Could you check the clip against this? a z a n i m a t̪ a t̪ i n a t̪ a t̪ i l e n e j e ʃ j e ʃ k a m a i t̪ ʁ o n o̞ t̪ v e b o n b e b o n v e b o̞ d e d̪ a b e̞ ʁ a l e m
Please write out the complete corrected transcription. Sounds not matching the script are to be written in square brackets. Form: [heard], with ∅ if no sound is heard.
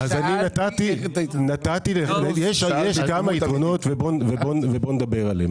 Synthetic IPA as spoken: a z a n i [n] a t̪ a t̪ i n a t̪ a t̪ i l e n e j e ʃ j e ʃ k a m a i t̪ ʁ o n o̞ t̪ v e b o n [v] e b o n v e b o̞ [n] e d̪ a b e̞ ʁ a l e m